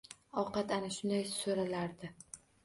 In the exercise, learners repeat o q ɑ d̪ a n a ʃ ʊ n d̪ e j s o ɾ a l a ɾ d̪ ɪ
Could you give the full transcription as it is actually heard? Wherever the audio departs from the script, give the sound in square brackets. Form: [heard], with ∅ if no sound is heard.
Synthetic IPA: [ɒ] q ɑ [t̪] a n a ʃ ʊ n d̪ [a] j s o ɾ a l a ɾ d̪ ɪ